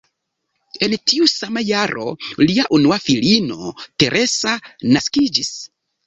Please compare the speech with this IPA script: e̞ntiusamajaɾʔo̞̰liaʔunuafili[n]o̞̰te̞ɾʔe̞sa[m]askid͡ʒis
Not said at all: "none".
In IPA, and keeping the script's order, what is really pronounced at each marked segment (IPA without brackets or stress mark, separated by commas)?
n, n